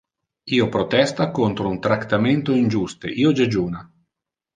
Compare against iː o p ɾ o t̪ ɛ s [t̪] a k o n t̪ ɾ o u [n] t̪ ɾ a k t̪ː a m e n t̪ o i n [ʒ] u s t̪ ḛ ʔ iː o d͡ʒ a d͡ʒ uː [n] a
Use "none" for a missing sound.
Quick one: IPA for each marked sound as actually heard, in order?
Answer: t̪, n, d͡ʒ, n

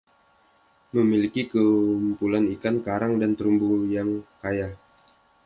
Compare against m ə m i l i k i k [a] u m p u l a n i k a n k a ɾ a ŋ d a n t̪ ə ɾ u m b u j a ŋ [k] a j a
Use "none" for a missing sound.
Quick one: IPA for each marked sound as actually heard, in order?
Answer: ə, k

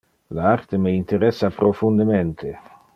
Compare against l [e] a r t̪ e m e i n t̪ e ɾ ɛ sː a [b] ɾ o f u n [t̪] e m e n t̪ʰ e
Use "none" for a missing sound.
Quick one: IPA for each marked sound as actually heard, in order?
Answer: a, p, d̪

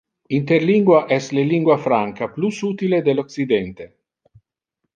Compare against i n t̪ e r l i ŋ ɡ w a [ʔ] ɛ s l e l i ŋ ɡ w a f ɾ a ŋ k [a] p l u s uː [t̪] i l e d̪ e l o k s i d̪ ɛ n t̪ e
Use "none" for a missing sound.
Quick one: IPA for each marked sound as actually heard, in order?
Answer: ʔ, a, t̪

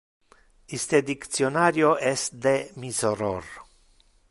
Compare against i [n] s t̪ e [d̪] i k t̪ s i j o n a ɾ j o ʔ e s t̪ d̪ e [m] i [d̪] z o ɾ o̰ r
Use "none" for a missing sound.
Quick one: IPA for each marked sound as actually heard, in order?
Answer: none, d̪, m, none

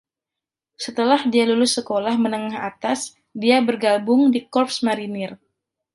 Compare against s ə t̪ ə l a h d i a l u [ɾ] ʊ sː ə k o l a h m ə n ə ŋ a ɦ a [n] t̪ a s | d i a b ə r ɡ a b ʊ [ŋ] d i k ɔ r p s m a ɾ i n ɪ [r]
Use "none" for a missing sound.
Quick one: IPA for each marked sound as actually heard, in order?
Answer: l, none, ŋ, r

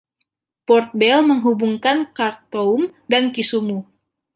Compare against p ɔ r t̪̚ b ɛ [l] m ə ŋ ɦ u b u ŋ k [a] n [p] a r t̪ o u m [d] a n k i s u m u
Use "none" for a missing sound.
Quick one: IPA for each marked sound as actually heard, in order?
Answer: l, a, k, d

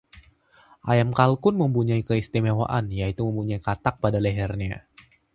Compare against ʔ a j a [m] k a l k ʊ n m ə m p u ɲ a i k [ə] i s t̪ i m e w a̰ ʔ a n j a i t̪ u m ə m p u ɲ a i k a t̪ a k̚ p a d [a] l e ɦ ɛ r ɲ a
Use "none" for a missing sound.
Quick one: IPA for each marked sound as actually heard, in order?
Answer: m, ə, a

